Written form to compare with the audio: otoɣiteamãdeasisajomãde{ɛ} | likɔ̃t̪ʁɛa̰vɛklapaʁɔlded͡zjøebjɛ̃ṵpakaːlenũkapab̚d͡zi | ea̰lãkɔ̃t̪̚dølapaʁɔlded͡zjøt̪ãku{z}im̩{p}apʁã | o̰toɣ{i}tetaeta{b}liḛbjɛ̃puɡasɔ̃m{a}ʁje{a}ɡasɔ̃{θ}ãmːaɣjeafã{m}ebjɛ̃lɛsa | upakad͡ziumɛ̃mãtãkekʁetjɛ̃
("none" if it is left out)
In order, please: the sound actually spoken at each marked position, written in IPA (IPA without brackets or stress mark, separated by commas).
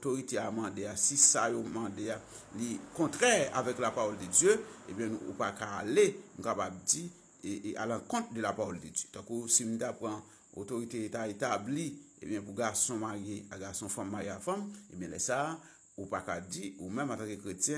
a, s, t, i, b, a, a, f, m